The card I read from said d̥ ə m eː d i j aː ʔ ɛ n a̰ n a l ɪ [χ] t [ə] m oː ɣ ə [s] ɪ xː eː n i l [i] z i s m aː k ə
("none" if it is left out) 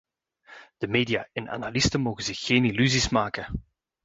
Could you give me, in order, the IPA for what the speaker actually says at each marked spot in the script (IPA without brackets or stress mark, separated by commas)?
s, ə, z, y